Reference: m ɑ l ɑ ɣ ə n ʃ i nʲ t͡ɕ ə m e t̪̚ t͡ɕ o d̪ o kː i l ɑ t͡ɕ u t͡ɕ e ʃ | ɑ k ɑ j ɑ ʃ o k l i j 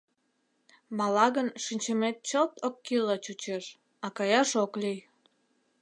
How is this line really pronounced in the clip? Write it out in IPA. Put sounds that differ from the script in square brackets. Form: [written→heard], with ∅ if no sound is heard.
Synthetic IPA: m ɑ l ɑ ɣ ə n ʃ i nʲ t͡ɕ ə m e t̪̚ t͡ɕ o [d̪→t̪] o kː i l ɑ t͡ɕ u t͡ɕ e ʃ | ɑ k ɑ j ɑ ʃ o k l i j